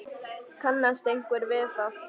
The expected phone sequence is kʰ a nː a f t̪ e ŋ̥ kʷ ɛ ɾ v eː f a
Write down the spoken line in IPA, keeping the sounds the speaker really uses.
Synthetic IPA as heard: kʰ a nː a s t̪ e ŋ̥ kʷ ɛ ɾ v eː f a